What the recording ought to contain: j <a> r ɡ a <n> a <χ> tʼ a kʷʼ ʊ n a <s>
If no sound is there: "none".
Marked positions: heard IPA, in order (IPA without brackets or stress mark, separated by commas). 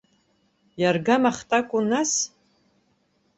a, m, χ, s